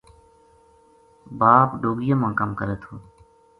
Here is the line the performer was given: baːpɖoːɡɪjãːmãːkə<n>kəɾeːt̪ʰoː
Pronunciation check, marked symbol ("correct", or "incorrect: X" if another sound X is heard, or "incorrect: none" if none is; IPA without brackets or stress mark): incorrect: m